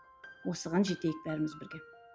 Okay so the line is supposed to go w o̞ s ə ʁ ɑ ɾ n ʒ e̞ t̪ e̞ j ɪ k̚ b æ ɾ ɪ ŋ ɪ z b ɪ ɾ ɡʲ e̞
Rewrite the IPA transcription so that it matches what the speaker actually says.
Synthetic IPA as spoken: w o̞ s ə ʁ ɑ n ʒ e̞ t̪ e̞ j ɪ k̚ b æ ɾ ɪ m ɪ z b ɪ ɾ ɡʲ e̞